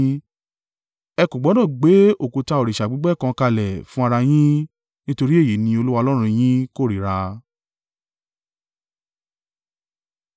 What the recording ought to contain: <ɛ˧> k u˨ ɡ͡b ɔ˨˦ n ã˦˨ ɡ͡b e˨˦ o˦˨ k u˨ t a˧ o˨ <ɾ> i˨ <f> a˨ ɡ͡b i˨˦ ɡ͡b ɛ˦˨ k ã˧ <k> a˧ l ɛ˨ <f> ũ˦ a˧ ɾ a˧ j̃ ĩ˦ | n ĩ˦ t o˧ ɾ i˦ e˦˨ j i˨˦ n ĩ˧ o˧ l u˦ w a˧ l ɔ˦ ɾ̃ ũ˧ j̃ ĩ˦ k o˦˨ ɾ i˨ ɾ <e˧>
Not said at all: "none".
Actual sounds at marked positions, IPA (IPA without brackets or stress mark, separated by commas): ɛ˧, ɾ, ʃ, k, f, a˧